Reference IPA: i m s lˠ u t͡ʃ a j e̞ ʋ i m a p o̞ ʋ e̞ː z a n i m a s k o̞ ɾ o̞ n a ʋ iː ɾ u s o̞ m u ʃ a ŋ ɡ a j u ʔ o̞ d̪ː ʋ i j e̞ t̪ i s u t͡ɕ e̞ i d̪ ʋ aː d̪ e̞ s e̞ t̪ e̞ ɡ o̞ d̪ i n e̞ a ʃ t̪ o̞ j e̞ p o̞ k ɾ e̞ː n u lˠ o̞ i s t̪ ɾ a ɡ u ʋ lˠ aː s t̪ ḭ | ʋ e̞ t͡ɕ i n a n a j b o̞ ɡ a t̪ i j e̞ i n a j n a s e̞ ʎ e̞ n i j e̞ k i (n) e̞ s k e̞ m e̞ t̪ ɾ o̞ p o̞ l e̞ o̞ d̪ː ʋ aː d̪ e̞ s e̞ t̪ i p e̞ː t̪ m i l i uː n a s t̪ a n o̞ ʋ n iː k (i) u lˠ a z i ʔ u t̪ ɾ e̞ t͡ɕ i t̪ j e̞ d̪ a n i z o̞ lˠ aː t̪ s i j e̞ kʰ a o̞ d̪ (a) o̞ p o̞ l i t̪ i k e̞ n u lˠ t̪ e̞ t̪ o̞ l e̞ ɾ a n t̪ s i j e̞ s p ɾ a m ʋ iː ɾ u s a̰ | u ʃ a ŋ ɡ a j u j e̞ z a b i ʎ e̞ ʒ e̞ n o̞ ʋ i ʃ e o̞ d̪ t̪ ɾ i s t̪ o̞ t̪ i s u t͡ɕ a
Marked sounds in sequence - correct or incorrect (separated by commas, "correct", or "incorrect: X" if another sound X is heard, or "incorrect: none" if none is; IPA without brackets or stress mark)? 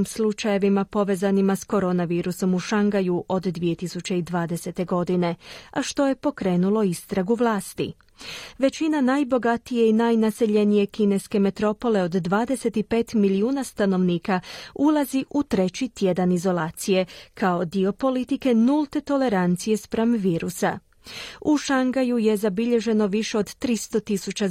correct, incorrect: a, incorrect: i